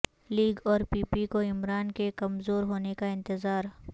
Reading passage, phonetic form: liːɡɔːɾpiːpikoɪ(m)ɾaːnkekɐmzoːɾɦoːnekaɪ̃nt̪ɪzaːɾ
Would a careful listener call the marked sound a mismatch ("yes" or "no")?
no